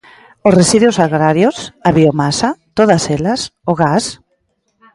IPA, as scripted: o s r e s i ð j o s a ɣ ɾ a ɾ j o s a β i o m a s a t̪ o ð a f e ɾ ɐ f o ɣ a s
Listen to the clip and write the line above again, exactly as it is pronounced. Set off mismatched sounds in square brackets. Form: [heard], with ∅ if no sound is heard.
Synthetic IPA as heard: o s r e s i ð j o s a ɣ ɾ a ɾ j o s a β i o m a s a t̪ o ð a [s] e [l] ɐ [s] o ɣ a s